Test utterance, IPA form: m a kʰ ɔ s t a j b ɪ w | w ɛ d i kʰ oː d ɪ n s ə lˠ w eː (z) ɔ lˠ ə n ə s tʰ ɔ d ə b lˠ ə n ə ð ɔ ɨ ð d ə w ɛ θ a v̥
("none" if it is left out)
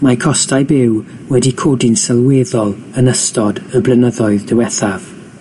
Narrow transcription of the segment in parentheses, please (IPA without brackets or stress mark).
ð